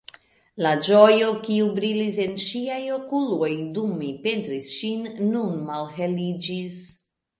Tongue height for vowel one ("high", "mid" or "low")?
low